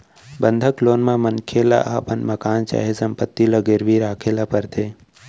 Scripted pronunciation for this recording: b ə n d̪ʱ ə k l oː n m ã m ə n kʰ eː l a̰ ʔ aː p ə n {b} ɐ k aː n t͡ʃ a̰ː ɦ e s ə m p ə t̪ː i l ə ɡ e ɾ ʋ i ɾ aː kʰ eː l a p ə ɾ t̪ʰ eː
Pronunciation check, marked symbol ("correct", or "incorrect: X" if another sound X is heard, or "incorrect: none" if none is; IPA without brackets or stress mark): incorrect: m